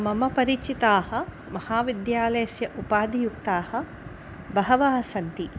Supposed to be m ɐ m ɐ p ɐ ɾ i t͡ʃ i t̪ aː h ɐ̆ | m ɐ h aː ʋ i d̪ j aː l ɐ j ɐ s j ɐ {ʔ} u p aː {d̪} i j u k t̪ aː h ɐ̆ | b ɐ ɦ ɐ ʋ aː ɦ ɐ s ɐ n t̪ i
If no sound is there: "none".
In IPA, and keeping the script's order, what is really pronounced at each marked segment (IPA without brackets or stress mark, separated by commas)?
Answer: ʔ, d̪